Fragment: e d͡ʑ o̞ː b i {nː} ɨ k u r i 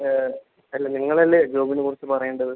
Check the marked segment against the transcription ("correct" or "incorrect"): incorrect